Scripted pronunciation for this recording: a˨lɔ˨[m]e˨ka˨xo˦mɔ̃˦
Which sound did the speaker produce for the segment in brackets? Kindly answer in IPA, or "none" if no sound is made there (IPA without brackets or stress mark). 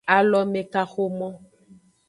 m